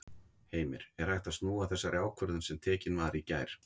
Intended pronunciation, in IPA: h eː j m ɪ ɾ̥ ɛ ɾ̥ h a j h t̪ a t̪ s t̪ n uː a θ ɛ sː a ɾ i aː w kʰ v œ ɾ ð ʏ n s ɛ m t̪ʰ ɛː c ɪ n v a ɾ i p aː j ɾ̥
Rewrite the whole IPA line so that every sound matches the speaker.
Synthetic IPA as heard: h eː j m ɪ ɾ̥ ɛ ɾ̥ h a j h t̪ a s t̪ n uː a θ ɛ sː a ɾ j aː w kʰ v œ ɾ ð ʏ n s ɛ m t̪ʰ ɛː c ɪ n v a ɾ i c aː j ɾ̥